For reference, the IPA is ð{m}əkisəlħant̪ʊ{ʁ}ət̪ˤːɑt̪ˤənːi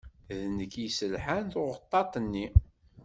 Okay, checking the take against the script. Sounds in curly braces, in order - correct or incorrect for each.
incorrect, correct

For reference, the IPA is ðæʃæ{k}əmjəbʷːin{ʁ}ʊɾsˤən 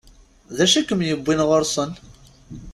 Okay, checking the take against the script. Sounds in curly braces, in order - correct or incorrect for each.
correct, correct

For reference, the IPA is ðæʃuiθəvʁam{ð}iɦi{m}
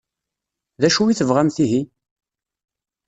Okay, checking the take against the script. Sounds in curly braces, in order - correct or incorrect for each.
incorrect, incorrect

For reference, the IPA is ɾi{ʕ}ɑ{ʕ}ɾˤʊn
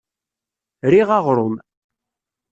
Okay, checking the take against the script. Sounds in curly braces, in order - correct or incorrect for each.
incorrect, incorrect

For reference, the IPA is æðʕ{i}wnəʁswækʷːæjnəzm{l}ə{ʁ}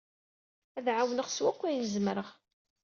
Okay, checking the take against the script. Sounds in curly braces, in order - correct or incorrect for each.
incorrect, incorrect, correct

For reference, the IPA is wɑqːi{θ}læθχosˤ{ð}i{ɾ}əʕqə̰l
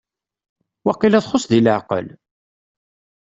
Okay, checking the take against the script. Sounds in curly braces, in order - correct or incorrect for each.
incorrect, correct, incorrect

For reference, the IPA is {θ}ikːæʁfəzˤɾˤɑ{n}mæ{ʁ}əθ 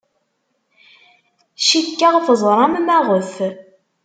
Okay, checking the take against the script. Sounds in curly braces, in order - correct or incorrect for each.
incorrect, incorrect, correct

